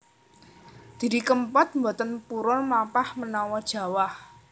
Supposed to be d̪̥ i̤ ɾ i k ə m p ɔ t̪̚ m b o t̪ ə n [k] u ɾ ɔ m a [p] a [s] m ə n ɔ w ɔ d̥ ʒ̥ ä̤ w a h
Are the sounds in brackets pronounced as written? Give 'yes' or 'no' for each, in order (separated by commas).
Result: no, yes, no